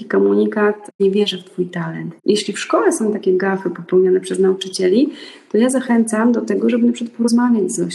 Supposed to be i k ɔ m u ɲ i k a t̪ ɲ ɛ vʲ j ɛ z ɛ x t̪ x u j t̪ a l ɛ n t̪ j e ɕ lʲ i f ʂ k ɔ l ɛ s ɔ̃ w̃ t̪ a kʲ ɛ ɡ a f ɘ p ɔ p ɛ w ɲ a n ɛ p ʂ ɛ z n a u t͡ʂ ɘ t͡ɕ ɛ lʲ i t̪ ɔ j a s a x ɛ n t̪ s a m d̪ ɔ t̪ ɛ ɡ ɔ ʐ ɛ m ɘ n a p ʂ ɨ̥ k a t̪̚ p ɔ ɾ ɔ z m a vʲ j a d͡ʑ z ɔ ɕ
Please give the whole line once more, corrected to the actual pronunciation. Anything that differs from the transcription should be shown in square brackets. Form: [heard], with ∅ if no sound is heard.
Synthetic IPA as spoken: i k ɔ m u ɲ i k a t̪ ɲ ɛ vʲ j ɛ [ʐ] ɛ [f] t̪ [f] u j t̪ a l ɛ n t̪ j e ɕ lʲ i f ʂ k ɔ l ɛ s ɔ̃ w̃ t̪ a kʲ ɛ ɡ a f ɘ p ɔ p ɛ w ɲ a n ɛ p ʂ ɛ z n a u t͡ʂ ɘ t͡ɕ ɛ lʲ i t̪ ɔ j a [z] a x ɛ n t̪ s a m d̪ ɔ t̪ ɛ ɡ ɔ ʐ ɛ [b] ɘ n a p ʂ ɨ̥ k a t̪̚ p ɔ ɾ ɔ z m a vʲ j a d͡ʑ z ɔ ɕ